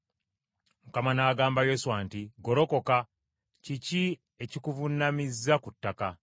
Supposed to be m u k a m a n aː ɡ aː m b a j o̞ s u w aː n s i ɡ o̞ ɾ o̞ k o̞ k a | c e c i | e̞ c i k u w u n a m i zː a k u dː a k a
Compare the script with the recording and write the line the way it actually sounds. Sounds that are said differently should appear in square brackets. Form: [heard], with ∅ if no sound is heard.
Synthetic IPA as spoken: m u k a m a n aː ɡ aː m b a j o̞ s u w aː n [t] i ɡ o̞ ɾ o̞ k o̞ k a | c [i] c i | e̞ c i k u [v] u n a m i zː a k u [tː] a k a

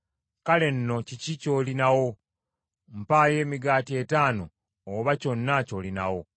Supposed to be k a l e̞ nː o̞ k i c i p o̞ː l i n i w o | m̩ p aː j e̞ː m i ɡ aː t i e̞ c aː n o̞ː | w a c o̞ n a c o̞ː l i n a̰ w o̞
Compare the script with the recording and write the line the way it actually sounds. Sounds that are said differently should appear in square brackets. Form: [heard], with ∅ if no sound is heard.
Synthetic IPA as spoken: k a l e̞ nː o̞ [c] i c i [c] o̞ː l i n [a] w o | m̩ p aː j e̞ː m i ɡ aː t i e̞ [t] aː n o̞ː | [β] a c o̞ [nː] a c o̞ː l i n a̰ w o̞

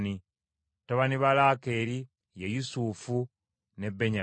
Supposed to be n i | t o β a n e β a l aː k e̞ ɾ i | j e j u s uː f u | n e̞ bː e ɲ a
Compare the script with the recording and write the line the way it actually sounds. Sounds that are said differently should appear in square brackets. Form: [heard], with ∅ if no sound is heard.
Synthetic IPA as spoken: n i | t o β a n [i] β a l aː k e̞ ɾ i | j e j u s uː f u | n e̞ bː e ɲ a

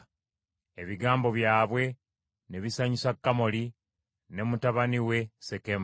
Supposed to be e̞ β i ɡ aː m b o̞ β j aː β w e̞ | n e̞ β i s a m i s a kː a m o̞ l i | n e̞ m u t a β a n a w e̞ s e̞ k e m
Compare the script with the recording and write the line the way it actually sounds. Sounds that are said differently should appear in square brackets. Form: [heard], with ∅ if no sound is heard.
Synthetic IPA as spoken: e̞ β i ɡ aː m b o̞ β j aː β w e̞ | n e̞ β i s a [ɲ] i s a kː a m o̞ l i | n e̞ m u t a β a n [i] w e̞ s e̞ k e m

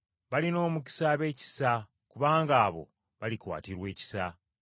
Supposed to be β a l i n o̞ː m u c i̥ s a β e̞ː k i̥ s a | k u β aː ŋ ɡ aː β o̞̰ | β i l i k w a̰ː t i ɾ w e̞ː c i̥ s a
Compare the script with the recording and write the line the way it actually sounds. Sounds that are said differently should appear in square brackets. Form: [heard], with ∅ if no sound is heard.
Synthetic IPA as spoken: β a l i n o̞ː m u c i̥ s a β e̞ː [c] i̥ s a | k u β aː ŋ ɡ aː β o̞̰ | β [a] l i k w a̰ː t i ɾ w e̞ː c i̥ s a

